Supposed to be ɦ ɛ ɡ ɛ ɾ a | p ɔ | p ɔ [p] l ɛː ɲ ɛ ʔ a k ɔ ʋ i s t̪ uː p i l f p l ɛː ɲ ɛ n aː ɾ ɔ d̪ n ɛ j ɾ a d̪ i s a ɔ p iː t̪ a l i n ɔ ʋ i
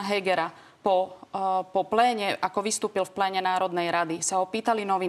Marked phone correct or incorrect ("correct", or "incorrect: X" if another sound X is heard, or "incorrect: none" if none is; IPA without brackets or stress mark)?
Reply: correct